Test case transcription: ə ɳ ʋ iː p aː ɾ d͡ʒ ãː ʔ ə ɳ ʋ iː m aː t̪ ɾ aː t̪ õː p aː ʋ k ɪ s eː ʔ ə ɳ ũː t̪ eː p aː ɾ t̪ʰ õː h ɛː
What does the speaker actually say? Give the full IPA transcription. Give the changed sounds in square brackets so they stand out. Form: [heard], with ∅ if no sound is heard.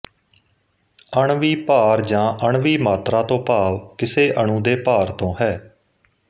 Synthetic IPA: ə ɳ ʋ iː p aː ɾ d͡ʒ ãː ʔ ə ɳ ʋ iː m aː t̪ ɾ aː t̪ õː p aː ʋ k ɪ s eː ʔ ə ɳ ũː [d̪] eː p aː ɾ [t̪] õː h ɛː